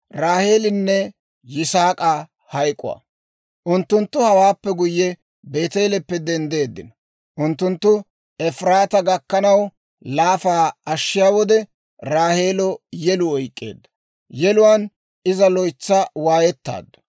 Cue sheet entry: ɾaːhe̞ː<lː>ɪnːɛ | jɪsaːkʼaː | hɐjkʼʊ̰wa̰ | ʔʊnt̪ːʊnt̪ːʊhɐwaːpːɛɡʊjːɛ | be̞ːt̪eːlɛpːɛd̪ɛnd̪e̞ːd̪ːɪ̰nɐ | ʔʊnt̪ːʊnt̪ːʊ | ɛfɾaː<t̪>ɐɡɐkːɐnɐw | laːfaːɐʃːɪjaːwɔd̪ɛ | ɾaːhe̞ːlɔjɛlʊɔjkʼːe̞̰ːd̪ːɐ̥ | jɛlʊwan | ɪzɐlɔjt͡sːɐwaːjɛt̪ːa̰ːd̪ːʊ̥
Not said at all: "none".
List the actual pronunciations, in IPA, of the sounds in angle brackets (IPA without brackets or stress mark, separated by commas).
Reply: l, t̪